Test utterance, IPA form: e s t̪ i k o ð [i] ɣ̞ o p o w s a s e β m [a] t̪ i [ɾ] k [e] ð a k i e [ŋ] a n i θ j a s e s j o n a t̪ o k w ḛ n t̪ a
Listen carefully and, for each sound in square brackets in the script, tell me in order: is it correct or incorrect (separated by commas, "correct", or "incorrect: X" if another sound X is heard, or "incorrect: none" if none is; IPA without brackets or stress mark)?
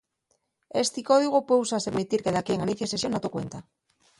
correct, incorrect: i, correct, correct, correct